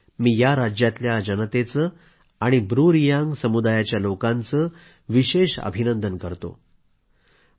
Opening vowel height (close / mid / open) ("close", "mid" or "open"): close